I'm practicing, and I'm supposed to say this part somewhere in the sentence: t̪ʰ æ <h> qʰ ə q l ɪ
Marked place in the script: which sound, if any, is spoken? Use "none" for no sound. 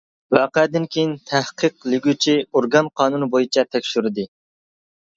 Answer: h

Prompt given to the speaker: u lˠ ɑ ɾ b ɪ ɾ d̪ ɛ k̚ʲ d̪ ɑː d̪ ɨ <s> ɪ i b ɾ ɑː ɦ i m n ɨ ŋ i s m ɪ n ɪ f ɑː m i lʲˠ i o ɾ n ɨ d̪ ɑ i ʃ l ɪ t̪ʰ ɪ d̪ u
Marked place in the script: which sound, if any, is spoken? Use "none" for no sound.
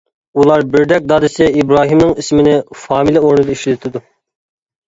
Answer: s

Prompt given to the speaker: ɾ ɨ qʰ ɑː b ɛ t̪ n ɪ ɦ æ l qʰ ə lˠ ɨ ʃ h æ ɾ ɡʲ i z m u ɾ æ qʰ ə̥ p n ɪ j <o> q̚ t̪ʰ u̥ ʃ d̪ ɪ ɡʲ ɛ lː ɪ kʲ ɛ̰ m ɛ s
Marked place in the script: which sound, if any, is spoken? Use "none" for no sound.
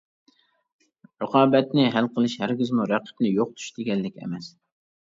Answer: o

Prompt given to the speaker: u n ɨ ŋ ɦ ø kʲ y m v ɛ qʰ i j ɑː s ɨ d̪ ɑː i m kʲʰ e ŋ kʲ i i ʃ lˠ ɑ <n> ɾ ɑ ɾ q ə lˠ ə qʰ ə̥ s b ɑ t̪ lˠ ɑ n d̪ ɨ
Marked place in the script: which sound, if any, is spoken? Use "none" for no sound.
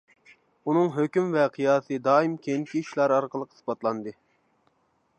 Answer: none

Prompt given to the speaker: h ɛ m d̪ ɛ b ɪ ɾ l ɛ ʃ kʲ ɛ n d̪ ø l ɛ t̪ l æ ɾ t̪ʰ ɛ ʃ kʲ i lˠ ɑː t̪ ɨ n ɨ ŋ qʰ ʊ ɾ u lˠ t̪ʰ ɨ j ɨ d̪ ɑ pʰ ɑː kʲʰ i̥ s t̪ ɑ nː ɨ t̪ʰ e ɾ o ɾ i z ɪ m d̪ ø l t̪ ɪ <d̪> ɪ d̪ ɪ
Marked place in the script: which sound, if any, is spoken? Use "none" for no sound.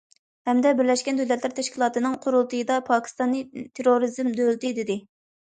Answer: d̪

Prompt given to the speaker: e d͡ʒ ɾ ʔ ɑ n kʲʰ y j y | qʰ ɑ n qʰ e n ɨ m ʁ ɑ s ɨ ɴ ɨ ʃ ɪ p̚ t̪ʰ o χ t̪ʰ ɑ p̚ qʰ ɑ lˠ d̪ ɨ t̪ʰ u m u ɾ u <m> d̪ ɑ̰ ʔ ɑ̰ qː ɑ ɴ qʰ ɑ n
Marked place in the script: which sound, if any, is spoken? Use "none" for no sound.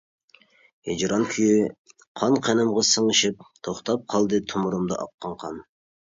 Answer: m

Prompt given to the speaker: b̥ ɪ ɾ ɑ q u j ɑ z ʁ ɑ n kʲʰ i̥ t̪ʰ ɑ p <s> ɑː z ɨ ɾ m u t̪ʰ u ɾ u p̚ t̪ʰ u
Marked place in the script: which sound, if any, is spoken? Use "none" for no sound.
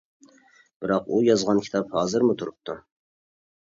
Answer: h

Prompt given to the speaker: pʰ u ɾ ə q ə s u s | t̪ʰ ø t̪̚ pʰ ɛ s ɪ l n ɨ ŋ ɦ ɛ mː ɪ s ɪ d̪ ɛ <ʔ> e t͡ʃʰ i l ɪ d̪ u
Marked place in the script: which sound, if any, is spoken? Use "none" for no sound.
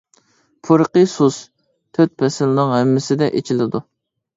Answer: ʔ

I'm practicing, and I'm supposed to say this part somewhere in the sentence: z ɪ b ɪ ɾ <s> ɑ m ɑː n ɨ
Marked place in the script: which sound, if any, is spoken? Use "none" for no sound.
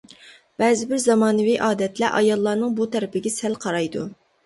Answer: z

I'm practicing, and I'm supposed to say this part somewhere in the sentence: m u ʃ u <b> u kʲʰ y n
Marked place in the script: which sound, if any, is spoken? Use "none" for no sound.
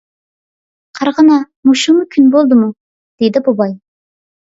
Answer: m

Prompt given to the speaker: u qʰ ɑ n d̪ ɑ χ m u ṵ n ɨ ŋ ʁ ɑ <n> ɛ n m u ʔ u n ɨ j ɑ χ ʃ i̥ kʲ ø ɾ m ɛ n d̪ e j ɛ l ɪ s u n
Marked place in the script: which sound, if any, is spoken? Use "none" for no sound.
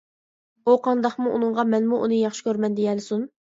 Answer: m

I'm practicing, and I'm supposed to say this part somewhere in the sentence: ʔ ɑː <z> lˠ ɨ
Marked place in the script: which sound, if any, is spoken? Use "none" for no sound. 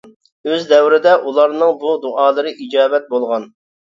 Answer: none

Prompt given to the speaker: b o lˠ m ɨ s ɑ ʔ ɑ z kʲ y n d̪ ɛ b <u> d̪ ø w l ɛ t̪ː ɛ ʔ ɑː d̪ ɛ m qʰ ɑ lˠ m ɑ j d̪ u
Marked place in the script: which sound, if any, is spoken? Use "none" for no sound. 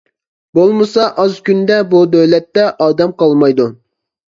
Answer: u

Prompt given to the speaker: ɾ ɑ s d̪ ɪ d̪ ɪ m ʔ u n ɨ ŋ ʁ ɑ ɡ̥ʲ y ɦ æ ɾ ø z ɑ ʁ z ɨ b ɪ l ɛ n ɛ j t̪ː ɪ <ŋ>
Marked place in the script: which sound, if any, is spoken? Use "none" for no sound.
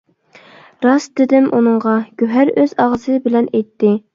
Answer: none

